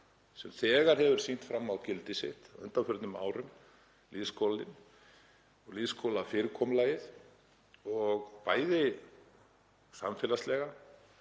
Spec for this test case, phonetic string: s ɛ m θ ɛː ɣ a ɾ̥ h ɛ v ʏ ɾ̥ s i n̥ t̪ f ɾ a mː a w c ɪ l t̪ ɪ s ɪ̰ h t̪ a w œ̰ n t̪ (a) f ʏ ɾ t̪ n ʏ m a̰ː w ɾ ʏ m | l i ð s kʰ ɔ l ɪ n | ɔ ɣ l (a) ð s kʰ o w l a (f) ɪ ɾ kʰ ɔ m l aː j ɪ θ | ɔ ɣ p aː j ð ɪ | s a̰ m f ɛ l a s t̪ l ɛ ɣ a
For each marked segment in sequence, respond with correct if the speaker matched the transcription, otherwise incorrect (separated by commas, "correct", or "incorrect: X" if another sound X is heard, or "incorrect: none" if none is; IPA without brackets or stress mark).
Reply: correct, incorrect: i, correct